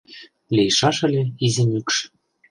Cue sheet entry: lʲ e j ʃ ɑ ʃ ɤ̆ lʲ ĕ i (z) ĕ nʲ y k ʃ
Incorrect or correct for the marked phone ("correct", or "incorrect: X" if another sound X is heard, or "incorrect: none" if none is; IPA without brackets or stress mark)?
correct